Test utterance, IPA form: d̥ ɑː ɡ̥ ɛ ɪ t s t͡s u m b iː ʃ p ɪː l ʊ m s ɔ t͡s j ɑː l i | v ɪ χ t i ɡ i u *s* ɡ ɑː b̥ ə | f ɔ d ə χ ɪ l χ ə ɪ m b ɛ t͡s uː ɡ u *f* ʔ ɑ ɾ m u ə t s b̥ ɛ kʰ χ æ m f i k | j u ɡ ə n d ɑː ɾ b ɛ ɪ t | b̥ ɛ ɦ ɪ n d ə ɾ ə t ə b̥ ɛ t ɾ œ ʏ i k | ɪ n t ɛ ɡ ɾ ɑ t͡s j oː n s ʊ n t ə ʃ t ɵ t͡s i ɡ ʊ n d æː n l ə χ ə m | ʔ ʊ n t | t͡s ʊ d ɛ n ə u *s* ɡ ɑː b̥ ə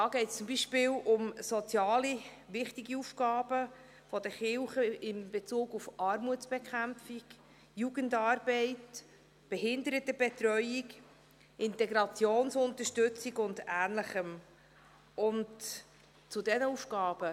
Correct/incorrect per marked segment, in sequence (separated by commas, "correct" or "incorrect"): incorrect, correct, incorrect